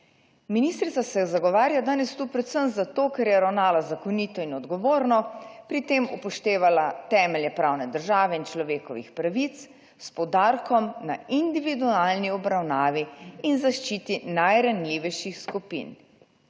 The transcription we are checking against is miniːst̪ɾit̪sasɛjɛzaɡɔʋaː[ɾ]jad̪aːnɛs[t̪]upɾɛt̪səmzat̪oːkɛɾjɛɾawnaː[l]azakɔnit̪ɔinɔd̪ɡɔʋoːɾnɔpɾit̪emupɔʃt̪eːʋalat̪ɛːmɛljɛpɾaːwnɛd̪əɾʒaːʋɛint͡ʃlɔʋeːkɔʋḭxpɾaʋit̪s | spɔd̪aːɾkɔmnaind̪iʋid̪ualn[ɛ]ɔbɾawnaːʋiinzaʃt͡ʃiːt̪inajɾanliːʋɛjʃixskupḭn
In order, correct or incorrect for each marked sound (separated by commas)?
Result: correct, correct, correct, incorrect